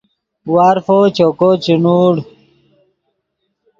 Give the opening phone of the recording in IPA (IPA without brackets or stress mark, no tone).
w